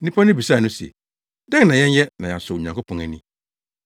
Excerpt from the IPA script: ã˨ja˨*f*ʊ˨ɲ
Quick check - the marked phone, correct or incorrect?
incorrect